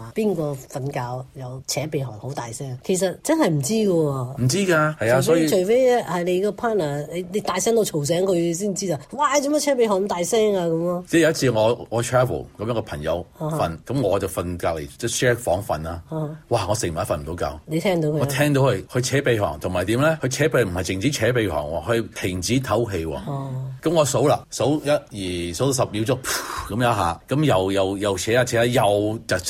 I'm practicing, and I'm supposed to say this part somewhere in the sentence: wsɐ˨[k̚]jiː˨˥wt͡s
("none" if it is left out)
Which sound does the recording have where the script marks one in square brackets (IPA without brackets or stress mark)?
p̚